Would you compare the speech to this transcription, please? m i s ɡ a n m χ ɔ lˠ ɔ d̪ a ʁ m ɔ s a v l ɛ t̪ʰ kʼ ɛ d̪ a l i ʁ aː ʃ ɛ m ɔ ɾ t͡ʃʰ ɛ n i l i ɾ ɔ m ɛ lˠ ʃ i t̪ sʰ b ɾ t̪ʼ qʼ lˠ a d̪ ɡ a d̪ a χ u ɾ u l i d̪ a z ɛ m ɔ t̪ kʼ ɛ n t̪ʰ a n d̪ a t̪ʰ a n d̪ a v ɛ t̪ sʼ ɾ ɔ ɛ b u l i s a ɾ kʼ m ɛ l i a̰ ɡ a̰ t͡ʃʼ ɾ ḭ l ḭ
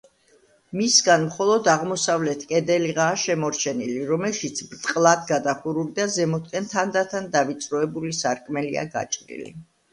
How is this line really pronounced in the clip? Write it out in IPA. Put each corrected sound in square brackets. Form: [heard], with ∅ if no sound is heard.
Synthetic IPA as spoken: m i s ɡ a n m χ ɔ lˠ ɔ d̪ a ʁ m ɔ s a v l ɛ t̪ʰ kʼ ɛ d̪ [ɛ] l i ʁ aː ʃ ɛ m ɔ ɾ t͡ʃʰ ɛ n i l i ɾ ɔ m ɛ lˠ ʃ i t̪ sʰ b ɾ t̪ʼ qʼ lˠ a d̪ ɡ a d̪ a χ u ɾ u l i d̪ a z ɛ m ɔ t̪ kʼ ɛ n t̪ʰ a n d̪ a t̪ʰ a n d̪ a v [i] t̪ sʼ ɾ ɔ ɛ b u l i s a ɾ kʼ m ɛ l i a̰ ɡ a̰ t͡ʃʼ ɾ ḭ l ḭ